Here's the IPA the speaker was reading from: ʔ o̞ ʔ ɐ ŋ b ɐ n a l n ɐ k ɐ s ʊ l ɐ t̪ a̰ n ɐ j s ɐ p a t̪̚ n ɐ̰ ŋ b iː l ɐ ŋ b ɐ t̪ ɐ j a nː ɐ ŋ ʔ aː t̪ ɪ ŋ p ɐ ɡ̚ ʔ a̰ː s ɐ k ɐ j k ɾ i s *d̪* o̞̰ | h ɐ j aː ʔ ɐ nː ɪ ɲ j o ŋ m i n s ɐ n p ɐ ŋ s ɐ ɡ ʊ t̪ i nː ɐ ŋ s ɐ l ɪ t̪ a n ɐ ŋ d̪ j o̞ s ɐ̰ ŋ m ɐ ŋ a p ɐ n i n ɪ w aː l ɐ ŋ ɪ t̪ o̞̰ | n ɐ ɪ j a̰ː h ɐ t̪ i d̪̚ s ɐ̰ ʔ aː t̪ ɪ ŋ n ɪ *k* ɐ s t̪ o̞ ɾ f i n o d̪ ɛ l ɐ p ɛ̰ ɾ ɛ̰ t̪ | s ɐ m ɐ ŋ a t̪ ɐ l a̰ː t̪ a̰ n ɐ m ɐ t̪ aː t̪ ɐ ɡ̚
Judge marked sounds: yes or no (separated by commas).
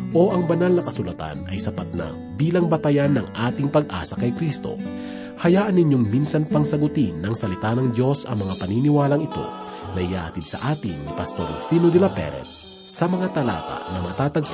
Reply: no, no